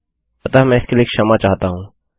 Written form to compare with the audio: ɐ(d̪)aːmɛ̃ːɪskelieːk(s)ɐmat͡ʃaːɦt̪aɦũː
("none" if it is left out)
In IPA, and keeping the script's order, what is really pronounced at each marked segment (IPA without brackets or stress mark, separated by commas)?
t̪, ʃ